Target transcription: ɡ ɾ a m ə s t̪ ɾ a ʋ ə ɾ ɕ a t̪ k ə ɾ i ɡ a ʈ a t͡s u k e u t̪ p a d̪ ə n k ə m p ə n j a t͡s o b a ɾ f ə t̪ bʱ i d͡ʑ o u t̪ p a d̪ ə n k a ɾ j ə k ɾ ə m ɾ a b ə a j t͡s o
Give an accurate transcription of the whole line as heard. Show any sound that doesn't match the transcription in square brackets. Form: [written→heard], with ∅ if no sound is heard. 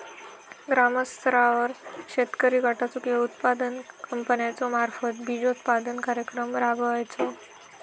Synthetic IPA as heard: ɡ ɾ a m ə s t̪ ɾ a ʋ ə ɾ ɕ [a→e] t̪ k ə ɾ i ɡ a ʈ a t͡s u k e u t̪ p a d̪ ə n k ə m p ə n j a t͡s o [b→m] a ɾ f ə t̪ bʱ i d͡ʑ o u t̪ p a d̪ ə n k a ɾ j ə k ɾ ə m ɾ a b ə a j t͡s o